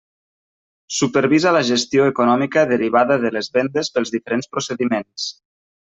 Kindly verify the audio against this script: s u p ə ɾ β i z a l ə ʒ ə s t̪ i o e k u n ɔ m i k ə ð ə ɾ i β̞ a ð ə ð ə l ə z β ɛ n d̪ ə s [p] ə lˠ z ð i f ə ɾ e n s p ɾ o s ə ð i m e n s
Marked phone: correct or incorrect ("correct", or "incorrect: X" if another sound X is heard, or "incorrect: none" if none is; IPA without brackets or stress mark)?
correct